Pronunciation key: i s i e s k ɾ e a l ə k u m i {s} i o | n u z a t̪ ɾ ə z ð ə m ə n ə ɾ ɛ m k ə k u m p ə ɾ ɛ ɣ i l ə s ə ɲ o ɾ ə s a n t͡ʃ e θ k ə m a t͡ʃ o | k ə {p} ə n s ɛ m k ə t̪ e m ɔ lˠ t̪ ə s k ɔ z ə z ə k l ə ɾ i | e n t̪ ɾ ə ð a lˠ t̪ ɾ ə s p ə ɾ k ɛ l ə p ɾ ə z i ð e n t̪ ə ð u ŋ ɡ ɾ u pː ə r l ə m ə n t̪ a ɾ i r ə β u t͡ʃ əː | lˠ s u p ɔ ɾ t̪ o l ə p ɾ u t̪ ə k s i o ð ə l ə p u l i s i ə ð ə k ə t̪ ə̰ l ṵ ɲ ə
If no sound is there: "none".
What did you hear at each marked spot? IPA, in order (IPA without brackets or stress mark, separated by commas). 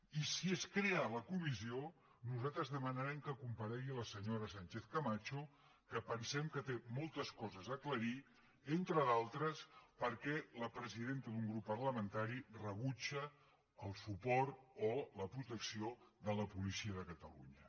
z, p